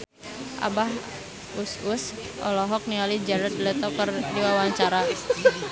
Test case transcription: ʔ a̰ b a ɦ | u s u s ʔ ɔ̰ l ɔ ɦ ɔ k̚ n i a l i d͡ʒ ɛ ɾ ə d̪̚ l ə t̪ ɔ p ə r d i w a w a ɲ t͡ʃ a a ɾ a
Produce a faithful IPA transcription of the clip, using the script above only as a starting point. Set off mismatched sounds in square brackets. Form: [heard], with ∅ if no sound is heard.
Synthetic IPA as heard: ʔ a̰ b a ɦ | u s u s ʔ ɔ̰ l ɔ ɦ ɔ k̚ n i a l i d͡ʒ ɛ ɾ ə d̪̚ l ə t̪ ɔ [k] ə r d i w a w a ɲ t͡ʃ a a ɾ a